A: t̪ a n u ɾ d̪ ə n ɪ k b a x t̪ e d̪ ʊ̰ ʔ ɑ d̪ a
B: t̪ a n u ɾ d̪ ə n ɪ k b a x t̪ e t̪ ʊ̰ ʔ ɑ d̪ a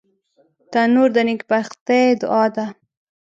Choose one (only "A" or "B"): A